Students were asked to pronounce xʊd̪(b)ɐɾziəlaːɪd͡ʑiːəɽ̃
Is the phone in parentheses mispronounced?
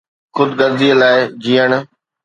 yes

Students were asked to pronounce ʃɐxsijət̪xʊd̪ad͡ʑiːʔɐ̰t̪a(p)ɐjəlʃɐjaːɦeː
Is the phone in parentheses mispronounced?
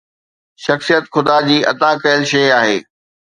yes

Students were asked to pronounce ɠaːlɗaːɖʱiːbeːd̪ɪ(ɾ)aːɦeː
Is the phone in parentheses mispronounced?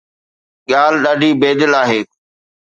yes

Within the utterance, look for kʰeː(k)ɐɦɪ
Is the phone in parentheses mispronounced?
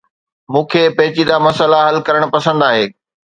yes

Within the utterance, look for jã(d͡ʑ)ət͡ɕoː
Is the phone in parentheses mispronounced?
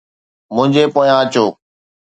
yes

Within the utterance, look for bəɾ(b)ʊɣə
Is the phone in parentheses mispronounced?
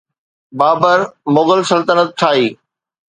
yes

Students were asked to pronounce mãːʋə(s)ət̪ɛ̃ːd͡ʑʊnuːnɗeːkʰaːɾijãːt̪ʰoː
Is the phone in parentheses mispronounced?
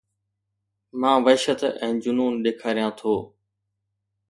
yes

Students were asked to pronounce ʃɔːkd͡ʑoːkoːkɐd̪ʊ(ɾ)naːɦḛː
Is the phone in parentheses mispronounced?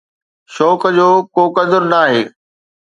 no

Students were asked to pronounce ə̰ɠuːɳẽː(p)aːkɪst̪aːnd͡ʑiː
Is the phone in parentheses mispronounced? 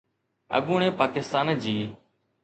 no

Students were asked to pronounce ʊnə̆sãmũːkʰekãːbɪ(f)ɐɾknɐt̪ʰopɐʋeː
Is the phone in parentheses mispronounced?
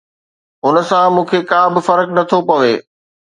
no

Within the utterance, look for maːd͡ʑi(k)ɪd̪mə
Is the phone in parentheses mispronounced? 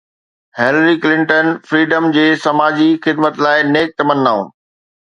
yes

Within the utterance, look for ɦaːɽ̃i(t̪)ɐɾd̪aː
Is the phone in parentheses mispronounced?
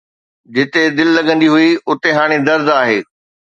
yes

